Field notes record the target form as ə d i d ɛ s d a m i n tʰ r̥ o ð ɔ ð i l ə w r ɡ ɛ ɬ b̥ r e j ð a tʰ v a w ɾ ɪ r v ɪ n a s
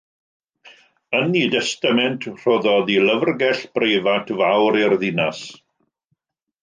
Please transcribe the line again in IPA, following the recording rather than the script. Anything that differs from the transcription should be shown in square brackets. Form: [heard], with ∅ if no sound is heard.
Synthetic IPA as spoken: ə [n] i d ɛ s [t] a m [ɛ] n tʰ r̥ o ð ɔ ð i l ə [v] r ɡ ɛ ɬ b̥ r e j [v] a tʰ v a w ɾ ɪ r [ð] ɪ n a s